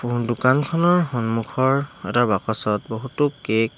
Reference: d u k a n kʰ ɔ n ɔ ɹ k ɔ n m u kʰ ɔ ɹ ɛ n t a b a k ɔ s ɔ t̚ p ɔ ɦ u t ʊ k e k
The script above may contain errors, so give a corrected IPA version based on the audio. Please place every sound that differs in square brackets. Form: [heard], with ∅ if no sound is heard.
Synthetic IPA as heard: d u k a n kʰ ɔ n ɔ ɹ [x] ɔ n m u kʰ ɔ ɹ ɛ [∅] t a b a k ɔ s ɔ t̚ [b] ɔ ɦ u t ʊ k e k